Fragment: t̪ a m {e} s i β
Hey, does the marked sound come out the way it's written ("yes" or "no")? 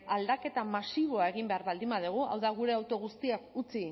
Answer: no